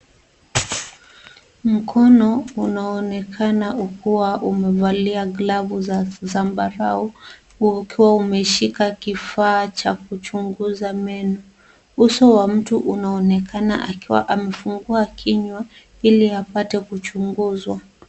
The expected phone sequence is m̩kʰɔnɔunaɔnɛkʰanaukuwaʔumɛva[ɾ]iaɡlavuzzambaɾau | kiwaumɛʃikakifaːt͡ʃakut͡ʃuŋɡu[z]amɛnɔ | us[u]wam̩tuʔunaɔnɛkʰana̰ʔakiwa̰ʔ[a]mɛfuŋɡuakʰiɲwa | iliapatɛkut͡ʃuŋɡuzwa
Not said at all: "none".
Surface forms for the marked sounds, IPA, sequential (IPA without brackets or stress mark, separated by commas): l, z, ɔ, a